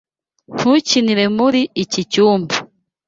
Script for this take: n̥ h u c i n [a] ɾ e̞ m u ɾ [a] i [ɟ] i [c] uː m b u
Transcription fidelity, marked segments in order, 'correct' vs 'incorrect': incorrect, incorrect, incorrect, correct

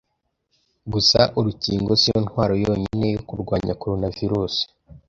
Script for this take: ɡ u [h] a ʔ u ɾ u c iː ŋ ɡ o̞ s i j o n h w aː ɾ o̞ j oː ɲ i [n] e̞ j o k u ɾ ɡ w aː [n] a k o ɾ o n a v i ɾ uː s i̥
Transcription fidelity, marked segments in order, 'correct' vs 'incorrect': incorrect, correct, incorrect

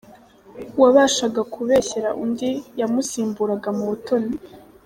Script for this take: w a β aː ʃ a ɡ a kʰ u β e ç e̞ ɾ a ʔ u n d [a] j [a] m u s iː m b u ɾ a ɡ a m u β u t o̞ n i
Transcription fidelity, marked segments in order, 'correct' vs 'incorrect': incorrect, correct

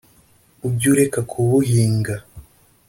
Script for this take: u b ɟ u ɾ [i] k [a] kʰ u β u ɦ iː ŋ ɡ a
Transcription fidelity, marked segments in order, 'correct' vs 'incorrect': incorrect, correct

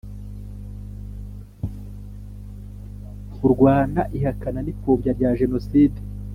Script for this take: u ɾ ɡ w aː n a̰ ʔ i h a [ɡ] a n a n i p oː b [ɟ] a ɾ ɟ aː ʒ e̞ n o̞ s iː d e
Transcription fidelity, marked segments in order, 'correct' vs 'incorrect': incorrect, correct

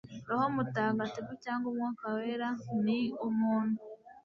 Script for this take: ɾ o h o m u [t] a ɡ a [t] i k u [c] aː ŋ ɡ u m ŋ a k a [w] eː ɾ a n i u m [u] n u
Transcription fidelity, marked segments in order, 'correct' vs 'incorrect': correct, correct, correct, correct, incorrect

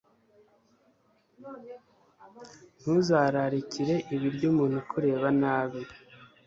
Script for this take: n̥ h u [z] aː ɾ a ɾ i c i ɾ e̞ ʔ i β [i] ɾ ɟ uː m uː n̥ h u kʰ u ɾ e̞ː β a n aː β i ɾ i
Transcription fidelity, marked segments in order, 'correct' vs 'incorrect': correct, correct

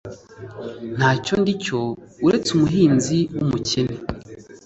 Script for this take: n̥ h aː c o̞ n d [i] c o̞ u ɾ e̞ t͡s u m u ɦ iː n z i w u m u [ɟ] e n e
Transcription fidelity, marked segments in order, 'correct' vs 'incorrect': correct, incorrect

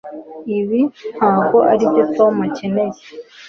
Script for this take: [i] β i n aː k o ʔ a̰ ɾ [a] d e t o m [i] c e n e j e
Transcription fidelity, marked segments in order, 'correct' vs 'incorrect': correct, incorrect, incorrect

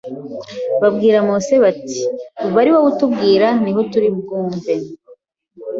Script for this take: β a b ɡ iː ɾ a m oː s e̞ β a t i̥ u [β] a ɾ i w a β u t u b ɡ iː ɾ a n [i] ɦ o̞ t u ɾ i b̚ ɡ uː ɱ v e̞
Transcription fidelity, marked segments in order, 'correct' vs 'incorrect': correct, correct

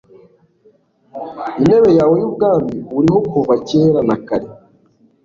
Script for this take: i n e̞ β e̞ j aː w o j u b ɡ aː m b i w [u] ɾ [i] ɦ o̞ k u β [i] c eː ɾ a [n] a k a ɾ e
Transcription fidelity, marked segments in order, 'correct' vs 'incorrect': correct, correct, incorrect, correct

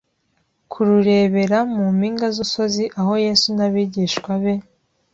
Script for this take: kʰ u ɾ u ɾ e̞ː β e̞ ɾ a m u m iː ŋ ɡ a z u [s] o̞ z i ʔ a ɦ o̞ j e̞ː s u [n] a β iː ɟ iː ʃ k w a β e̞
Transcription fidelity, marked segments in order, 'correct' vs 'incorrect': correct, correct

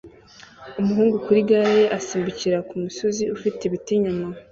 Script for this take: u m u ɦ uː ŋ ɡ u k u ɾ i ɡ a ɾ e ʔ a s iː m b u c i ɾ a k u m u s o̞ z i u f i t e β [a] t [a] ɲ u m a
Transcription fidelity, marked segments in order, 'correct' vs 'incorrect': incorrect, incorrect

